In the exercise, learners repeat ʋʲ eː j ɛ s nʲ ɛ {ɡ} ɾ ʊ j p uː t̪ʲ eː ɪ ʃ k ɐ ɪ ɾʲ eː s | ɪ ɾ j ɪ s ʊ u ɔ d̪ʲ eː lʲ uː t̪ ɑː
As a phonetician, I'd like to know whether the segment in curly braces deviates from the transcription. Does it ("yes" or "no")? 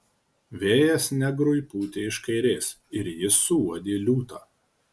no